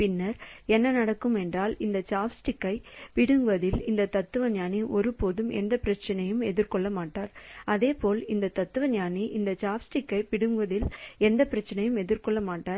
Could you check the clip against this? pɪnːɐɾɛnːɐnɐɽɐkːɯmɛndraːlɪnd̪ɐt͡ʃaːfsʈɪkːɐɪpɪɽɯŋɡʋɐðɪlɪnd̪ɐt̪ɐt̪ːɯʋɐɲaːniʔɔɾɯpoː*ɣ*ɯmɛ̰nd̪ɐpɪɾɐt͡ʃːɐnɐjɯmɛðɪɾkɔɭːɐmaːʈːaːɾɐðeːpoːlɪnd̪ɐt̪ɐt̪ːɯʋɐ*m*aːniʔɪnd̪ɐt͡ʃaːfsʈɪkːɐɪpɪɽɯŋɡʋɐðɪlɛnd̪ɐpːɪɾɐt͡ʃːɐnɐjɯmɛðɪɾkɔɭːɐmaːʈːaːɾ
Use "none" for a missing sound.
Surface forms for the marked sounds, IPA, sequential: ð, ɲ

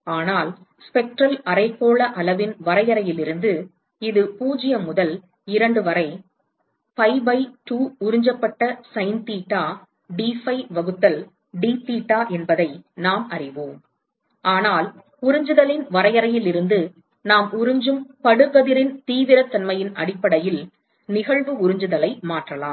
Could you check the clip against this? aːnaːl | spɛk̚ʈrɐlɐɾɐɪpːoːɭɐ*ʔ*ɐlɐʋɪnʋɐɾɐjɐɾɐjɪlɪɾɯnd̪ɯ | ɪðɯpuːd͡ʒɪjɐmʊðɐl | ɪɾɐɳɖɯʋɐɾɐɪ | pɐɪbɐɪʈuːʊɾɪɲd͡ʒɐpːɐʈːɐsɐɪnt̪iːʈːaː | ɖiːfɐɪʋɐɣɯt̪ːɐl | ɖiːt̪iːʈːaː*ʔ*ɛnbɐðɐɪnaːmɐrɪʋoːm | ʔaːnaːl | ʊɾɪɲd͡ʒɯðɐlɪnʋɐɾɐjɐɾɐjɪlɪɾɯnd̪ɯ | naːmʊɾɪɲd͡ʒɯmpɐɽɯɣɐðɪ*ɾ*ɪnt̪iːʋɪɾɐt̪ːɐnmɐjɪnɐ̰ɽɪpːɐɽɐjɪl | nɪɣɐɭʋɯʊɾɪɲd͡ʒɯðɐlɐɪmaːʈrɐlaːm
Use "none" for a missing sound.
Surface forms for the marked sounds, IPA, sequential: ʔ, ʔ, ɾ

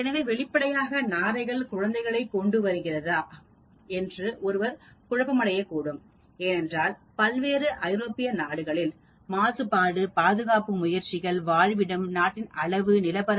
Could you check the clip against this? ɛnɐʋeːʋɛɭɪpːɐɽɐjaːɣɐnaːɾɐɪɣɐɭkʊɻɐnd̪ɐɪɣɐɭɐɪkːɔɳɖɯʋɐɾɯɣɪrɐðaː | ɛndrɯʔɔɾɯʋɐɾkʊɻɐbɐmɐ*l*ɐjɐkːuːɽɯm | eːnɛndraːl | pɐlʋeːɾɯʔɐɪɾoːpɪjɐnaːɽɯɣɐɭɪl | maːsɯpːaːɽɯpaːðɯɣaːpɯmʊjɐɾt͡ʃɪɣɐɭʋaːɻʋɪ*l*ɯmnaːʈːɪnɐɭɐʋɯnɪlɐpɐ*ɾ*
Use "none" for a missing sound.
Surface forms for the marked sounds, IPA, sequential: ɽ, ɽ, ɾ

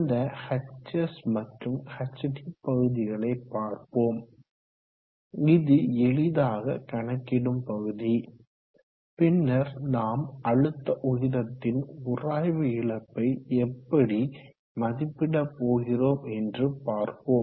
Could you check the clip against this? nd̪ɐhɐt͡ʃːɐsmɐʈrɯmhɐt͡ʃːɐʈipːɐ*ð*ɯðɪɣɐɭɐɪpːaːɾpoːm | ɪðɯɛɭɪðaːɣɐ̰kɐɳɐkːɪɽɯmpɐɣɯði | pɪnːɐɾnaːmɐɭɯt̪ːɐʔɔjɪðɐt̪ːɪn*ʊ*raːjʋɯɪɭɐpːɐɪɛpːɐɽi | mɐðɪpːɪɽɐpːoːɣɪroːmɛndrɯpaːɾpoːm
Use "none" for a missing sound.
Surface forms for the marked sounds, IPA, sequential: ɣ, ʊ

